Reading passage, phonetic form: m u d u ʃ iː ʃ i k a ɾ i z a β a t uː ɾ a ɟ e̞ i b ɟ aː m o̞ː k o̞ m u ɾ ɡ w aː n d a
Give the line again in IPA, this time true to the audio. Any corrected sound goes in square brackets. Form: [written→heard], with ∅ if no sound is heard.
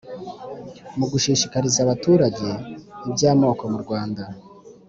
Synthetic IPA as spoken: m u [d→ɡ] u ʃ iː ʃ i k a ɾ i z a β a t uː ɾ a ɟ e̞ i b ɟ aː m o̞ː k o̞ m u ɾ ɡ w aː n d a